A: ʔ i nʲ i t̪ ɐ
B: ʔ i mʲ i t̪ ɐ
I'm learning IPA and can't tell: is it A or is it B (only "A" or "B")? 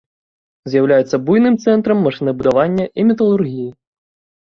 B